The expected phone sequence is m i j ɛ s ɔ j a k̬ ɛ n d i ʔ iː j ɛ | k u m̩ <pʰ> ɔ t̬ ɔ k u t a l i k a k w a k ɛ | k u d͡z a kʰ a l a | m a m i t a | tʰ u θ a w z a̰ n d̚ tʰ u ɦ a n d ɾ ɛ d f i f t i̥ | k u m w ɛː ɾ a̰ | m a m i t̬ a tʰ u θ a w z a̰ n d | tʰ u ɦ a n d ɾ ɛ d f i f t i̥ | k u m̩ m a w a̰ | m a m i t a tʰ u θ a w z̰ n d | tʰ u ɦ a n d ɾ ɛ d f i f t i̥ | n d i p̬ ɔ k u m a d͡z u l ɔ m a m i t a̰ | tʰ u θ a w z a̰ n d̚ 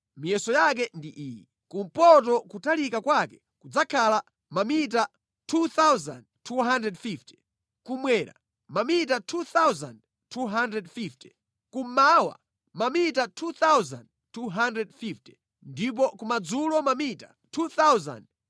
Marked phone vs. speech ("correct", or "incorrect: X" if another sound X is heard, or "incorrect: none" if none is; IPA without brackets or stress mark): incorrect: p